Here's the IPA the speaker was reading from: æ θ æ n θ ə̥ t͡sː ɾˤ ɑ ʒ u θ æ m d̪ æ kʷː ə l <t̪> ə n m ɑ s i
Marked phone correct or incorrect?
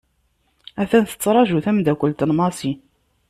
correct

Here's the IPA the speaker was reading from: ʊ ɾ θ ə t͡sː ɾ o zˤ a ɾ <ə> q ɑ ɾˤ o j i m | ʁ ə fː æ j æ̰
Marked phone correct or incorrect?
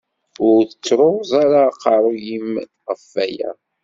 incorrect: a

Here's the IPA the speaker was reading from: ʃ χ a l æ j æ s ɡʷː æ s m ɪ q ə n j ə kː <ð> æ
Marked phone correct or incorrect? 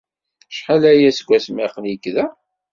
correct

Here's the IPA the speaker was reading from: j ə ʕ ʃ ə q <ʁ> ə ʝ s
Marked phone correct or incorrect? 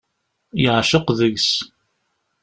incorrect: ð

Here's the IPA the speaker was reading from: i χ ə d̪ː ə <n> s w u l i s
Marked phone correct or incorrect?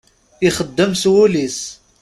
incorrect: m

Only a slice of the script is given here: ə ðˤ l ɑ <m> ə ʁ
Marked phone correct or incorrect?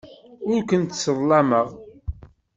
correct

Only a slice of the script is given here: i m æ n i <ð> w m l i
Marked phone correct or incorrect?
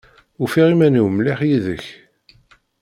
incorrect: none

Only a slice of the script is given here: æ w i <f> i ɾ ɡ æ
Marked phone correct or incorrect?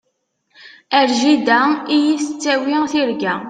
incorrect: θ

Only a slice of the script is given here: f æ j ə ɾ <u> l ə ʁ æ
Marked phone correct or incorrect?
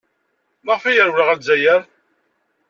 incorrect: w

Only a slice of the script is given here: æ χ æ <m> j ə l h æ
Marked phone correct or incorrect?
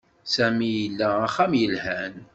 correct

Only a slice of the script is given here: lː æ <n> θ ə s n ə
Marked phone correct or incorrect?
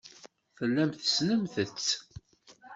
incorrect: m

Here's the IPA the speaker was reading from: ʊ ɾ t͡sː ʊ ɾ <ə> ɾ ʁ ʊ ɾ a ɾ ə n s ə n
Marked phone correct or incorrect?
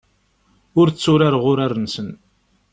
incorrect: a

